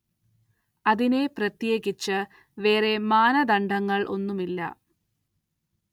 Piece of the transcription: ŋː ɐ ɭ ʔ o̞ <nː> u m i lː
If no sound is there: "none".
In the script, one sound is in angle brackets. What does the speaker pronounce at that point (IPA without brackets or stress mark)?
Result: nː